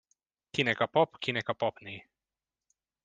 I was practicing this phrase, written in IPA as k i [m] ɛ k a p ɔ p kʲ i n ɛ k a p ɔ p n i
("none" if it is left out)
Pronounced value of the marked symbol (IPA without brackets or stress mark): n